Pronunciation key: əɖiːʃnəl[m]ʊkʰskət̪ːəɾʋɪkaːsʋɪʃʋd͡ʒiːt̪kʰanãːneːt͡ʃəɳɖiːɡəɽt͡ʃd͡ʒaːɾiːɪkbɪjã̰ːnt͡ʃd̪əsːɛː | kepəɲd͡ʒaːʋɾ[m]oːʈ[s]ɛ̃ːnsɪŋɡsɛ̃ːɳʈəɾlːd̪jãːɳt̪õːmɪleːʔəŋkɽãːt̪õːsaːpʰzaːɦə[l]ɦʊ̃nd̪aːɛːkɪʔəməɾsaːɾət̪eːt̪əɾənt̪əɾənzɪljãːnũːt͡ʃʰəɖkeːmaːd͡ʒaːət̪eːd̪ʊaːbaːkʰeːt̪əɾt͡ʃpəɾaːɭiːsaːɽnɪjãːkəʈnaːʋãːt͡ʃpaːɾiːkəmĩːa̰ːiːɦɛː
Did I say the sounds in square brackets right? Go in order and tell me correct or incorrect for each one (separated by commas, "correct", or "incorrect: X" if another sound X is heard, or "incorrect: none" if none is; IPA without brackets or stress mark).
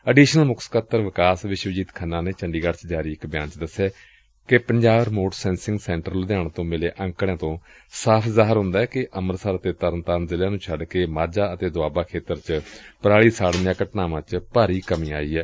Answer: correct, correct, correct, incorrect: ɾ